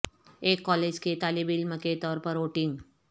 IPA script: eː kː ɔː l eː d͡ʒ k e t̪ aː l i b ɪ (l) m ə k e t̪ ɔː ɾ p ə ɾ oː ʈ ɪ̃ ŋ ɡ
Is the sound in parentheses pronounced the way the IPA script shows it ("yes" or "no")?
yes